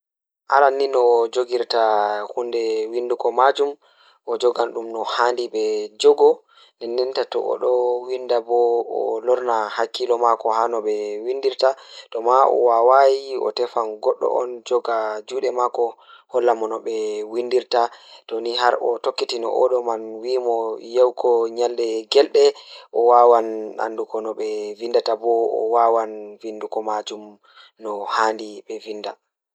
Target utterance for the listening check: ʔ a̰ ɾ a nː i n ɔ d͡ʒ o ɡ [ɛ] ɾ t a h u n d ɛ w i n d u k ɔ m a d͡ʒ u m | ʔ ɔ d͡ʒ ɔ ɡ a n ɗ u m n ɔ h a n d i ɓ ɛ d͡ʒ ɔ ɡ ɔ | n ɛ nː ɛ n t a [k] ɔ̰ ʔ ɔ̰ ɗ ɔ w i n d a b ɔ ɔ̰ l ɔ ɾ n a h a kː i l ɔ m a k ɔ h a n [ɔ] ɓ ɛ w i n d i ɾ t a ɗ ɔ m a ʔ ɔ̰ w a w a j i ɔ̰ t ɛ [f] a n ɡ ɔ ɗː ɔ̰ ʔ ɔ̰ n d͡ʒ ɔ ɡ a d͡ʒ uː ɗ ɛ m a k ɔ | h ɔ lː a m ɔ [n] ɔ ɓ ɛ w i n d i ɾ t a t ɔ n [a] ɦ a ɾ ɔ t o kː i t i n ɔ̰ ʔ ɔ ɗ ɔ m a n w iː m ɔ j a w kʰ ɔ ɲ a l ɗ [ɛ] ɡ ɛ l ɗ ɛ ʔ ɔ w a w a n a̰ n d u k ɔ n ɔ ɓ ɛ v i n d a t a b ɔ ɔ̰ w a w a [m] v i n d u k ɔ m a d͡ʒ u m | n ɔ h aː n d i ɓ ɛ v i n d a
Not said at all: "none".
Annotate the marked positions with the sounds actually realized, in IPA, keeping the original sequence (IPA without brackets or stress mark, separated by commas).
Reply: i, t, ɔ, f, n, i, ɛ, n